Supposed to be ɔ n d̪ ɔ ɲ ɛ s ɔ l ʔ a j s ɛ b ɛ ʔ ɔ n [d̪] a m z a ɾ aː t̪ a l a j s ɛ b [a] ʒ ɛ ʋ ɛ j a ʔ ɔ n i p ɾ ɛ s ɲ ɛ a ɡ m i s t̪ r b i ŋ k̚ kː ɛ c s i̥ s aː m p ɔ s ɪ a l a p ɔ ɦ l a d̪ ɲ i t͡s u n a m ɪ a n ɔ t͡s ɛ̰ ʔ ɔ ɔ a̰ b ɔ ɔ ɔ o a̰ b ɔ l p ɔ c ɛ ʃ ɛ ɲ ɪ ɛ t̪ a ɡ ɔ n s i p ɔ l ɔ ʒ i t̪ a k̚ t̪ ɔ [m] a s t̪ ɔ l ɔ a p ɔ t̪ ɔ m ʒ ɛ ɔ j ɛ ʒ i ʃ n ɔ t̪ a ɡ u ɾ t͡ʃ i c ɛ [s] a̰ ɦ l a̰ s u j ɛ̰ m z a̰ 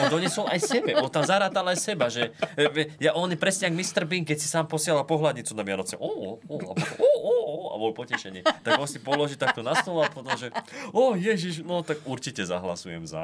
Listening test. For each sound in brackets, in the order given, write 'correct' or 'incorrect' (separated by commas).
incorrect, correct, incorrect, incorrect